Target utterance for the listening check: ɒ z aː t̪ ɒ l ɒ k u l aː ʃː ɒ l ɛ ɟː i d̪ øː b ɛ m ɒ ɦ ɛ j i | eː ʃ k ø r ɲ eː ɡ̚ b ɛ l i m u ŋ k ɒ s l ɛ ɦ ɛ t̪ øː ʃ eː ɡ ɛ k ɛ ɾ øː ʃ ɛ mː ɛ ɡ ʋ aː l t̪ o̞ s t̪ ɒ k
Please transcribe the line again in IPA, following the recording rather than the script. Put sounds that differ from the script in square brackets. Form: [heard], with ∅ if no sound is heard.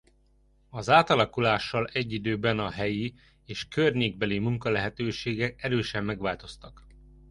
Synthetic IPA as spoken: ɒ z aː t̪ ɒ l ɒ k u l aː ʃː ɒ l ɛ ɟː i d̪ øː b ɛ [n] ɒ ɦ ɛ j i | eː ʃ k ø r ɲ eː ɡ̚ b ɛ l i m u ŋ k ɒ [∅] l ɛ ɦ ɛ t̪ øː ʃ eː ɡ ɛ k ɛ ɾ øː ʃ ɛ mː ɛ ɡ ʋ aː l t̪ o̞ s t̪ ɒ k